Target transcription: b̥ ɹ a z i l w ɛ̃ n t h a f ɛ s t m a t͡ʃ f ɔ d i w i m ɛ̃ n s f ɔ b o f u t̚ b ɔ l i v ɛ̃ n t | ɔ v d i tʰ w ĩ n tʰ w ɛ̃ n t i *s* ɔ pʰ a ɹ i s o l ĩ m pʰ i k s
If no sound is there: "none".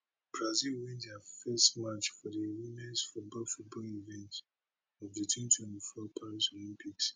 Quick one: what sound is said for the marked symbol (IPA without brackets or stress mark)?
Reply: f